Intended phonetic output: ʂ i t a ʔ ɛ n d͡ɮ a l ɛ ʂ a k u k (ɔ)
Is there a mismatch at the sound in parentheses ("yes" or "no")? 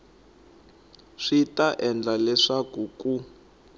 yes